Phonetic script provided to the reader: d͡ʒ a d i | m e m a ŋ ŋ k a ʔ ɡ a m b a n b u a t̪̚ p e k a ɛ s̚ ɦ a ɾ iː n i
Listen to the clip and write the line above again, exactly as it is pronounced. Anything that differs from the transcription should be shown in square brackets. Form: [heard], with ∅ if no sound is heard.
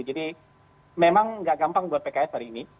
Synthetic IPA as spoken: d͡ʒ a d i | m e m a ŋ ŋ [ɡ] a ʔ ɡ a m [p] a [ŋ] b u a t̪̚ p e k a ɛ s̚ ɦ a ɾ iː n i